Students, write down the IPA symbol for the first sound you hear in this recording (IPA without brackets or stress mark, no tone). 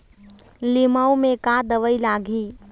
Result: l